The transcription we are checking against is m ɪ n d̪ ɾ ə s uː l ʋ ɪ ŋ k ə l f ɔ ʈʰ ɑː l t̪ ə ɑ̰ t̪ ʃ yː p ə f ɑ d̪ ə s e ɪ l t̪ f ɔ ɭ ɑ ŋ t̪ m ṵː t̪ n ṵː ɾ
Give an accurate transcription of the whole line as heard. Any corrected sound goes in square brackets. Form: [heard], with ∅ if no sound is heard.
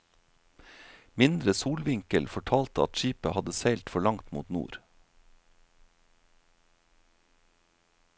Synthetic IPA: m ɪ n d̪ ɾ ə s uː l ʋ ɪ ŋ k ə l f ɔ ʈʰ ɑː l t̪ ə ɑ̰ t̪ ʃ [iː] p ə [h] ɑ d̪ ə s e ɪ l t̪ f ɔ ɭ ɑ ŋ t̪ m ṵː t̪ n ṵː ɾ